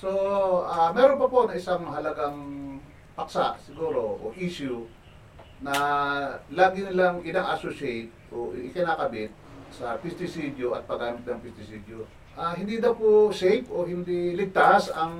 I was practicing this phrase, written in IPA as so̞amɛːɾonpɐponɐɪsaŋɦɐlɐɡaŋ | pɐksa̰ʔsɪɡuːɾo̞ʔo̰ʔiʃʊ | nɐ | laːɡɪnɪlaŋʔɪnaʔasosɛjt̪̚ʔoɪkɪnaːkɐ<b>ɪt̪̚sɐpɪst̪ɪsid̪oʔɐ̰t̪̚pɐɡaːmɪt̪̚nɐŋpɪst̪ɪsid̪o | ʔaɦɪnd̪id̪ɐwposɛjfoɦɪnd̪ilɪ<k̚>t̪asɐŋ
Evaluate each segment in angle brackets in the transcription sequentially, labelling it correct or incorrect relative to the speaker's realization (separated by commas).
correct, incorrect